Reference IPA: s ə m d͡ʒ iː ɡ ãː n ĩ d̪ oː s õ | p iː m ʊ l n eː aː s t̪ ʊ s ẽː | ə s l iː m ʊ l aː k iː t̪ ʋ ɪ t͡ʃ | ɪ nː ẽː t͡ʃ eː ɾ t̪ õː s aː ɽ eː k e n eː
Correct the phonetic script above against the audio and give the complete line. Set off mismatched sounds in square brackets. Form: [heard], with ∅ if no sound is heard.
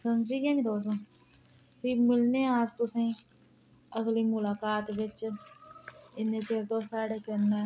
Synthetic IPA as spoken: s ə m d͡ʒ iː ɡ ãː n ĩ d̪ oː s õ | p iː m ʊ l n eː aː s t̪ ʊ s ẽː | ə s l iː m ʊ l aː k [aː] t̪ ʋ ɪ t͡ʃ | ɪ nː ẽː t͡ʃ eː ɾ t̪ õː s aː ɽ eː k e n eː